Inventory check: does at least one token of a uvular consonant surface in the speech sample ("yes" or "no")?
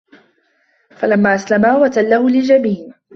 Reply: no